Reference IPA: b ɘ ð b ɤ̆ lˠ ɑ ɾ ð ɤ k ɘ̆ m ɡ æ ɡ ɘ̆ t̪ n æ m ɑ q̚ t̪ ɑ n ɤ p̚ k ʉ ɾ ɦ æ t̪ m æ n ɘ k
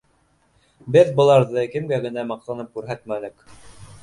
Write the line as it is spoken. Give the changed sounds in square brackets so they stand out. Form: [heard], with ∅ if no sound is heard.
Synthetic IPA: b ɘ ð b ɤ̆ lˠ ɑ ɾ ð ɤ k ɘ̆ m ɡ æ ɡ ɘ̆ [∅] n æ m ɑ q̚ t̪ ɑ n ɤ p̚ k ʉ ɾ ɦ æ t̪ m æ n ɘ k